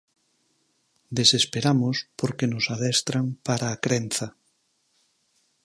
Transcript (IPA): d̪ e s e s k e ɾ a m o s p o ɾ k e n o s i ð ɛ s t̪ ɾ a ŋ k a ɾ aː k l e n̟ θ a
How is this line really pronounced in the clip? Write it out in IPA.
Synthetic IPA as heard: d̪ e s e s p e ɾ a m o s p o ɾ k e n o s a ð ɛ s t̪ ɾ a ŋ p a ɾ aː k ɾ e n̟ θ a

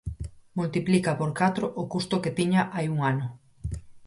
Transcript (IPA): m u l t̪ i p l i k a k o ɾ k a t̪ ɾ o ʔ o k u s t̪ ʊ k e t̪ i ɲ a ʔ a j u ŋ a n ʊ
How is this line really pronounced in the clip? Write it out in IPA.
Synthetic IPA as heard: m u l t̪ i p l i k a p o ɾ k a t̪ ɾ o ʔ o k u s t̪ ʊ k e t̪ i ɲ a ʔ a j u ŋ a n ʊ

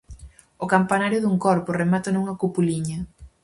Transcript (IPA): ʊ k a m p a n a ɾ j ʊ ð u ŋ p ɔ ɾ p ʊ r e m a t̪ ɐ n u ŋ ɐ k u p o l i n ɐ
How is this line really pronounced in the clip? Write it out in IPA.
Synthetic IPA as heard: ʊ k a m p a n a ɾ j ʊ ð u ŋ k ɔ ɾ p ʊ r e m a t̪ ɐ n u ŋ ɐ k u p u l i ɲ ɐ

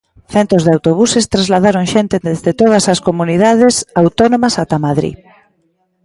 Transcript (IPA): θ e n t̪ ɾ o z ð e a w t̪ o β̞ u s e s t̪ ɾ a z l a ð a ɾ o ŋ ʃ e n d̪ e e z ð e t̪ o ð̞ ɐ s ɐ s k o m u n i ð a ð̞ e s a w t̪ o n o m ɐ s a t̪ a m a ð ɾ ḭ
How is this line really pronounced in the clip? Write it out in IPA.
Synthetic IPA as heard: θ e n t̪ ɾ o z ð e a w t̪ o β̞ u s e s t̪ ɾ a z l a ð a ɾ o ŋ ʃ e n t̪ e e z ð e t̪ o ð̞ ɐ s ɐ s k o m u n i ð a ð̞ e s a w t̪ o n o m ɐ s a t̪ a m a ð ɾ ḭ

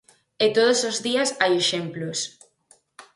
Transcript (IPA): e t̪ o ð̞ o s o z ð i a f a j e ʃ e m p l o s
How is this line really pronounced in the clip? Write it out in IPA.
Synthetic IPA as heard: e t̪ o ð̞ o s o z ð i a s a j e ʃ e m p l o s

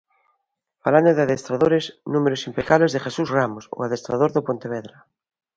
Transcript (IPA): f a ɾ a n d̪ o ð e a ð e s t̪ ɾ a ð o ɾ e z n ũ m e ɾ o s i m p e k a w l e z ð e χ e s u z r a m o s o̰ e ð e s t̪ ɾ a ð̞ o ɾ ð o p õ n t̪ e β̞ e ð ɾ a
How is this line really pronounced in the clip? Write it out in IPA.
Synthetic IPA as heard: f a l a n d̪ o ð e a ð e s t̪ ɾ a ð o ɾ e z n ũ m e ɾ o s i m p e k a β l e z ð e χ e s u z r a m o s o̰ a ð e s t̪ ɾ a ð̞ o ɾ ð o p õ n t̪ e β̞ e ð ɾ a

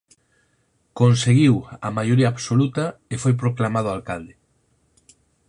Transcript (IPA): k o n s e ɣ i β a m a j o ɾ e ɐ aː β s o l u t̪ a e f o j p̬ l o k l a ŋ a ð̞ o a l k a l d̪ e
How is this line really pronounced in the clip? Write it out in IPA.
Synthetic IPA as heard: k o n s e ɣ i w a m a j o ɾ i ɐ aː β s o l u t̪ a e f o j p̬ ɾ o k l a m a ð̞ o a l k a l d̪ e

